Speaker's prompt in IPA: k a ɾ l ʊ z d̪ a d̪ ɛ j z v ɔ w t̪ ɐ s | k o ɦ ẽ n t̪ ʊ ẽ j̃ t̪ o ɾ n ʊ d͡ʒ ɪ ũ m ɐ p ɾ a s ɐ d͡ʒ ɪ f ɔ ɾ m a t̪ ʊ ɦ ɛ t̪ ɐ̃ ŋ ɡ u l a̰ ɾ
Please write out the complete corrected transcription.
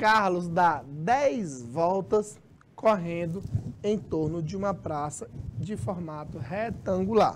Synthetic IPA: k a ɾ l ʊ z d̪ a d̪ ɛ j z v ɔ w t̪ ɐ s | k o ɦ ẽ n d̪ ʊ ẽ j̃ t̪ o ɾ n ʊ d͡ʒ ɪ ũ m ɐ p ɾ a s ɐ d͡ʒ ɪ f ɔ ɾ m a t̪ ʊ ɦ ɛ t̪ ɐ̃ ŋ ɡ u l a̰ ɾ